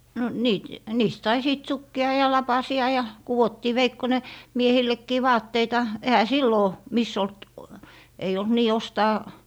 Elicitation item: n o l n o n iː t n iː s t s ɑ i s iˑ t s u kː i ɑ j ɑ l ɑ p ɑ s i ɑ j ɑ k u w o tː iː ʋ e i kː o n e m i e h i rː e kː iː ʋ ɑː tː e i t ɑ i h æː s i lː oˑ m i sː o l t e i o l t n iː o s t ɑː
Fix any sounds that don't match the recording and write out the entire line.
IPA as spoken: n o n o n iː t n iː s t s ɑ i s iˑ t s u kː i ɑ j ɑ l ɑ p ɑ s i ɑ j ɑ k u w o tː iː ʋ e i kː o n e m i e h i lː e kː iː ʋ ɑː tː e i t ɑ e h æ s i lː oˑ m i sː o l t e i o l t n iː o s t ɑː